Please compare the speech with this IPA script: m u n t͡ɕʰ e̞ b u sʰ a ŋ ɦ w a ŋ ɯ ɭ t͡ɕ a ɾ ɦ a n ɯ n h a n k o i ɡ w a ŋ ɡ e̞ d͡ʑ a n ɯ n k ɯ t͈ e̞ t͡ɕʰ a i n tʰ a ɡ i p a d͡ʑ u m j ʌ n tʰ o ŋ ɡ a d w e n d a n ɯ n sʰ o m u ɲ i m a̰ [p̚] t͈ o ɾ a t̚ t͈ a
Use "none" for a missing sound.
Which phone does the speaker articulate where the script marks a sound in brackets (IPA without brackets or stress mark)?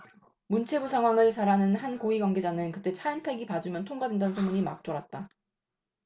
k̚